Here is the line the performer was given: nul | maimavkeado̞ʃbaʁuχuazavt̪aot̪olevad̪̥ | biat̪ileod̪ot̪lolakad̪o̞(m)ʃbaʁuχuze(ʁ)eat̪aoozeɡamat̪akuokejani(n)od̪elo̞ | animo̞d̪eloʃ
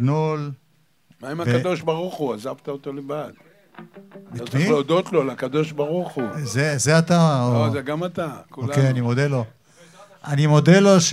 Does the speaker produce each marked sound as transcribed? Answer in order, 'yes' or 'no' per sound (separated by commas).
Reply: no, no, no